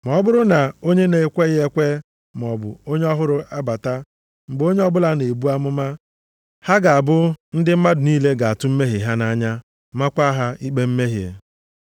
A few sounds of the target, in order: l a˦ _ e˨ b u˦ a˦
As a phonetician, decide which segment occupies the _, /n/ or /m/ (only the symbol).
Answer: n